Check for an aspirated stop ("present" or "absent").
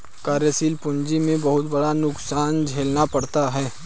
absent